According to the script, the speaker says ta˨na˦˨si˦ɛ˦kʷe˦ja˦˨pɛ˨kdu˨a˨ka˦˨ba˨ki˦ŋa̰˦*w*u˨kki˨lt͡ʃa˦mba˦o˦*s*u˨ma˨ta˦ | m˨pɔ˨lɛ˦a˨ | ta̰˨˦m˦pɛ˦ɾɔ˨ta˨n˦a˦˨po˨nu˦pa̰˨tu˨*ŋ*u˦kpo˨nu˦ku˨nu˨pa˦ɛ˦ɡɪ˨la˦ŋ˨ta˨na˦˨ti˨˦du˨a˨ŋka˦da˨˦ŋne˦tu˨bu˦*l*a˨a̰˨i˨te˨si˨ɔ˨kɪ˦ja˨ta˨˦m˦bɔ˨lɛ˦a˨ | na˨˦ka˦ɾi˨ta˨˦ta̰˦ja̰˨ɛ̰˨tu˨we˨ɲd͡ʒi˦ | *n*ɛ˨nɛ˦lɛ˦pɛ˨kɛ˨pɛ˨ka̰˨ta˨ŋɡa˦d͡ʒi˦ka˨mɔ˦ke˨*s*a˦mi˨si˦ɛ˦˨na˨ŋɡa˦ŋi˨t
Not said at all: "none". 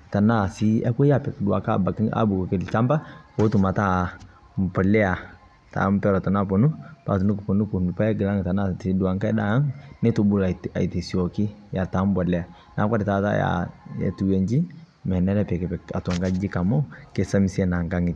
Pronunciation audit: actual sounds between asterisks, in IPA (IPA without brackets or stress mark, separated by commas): b, t, n, l, m, s